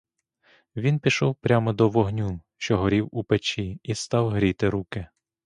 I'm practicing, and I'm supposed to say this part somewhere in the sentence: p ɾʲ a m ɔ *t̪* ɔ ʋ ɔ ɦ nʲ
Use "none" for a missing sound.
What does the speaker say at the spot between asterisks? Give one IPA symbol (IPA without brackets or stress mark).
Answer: d̪